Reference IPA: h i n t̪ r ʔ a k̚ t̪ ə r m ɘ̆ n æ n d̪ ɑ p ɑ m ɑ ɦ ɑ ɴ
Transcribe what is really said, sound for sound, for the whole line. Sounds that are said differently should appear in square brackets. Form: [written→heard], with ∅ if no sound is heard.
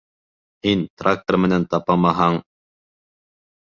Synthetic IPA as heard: h i n t̪ r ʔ a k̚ t̪ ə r m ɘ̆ n æ n [d̪→t̪] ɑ p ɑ m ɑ ɦ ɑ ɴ